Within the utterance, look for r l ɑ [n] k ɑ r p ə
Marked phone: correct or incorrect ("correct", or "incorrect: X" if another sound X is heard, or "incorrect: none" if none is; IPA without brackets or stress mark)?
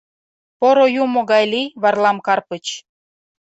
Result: incorrect: m